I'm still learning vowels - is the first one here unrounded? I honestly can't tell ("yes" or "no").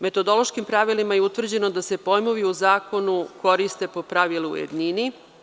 yes